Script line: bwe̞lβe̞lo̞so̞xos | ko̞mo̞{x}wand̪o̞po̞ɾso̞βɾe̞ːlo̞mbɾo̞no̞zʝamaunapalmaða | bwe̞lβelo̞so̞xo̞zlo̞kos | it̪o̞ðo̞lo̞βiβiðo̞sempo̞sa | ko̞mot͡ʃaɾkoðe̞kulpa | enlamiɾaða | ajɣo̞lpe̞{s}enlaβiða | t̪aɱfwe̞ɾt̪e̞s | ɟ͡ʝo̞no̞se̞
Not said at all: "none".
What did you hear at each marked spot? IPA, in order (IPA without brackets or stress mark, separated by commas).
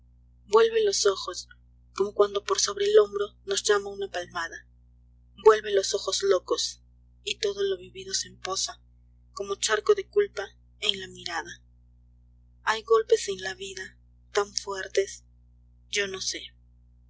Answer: k, s